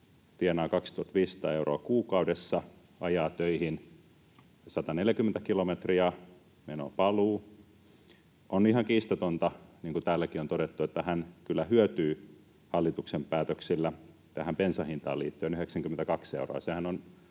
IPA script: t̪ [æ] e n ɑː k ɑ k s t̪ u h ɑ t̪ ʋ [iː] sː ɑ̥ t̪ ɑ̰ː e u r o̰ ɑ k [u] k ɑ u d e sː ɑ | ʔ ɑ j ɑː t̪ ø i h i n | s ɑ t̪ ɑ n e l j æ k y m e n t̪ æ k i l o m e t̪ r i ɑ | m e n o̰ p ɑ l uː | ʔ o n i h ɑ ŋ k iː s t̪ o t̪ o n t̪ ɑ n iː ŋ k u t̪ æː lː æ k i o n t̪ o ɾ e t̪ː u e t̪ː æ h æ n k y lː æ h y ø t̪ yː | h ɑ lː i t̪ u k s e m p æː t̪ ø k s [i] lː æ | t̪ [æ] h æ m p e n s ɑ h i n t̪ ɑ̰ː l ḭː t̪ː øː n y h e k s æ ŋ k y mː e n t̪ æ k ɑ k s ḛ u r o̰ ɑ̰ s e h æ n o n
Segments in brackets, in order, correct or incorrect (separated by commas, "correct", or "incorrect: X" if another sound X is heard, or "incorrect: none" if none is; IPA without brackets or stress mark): incorrect: i, correct, incorrect: uː, correct, correct